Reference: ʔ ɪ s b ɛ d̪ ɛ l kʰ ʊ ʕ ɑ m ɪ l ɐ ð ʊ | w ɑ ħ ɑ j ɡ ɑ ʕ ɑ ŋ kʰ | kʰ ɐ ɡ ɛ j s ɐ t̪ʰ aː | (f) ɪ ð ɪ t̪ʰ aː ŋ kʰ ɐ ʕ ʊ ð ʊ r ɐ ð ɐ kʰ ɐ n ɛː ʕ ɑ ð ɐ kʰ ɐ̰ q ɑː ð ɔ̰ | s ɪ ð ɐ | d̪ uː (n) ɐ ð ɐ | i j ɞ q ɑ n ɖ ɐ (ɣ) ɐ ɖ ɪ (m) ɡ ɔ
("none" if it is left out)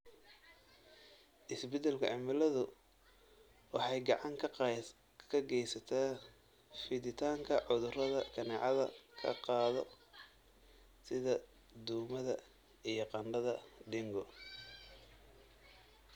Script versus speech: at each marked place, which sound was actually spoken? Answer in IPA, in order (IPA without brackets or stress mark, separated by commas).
f, m, ð, ŋ